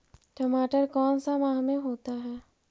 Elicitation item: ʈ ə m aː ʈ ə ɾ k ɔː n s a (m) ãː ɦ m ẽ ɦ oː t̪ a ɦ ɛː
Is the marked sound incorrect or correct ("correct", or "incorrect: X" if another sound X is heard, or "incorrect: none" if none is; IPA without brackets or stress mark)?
correct